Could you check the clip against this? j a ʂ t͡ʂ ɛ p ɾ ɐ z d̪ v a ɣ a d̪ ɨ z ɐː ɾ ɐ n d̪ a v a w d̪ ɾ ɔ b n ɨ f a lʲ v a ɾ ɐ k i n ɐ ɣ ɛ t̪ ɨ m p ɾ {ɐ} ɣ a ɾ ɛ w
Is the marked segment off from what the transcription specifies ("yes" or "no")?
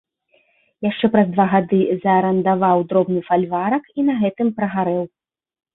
no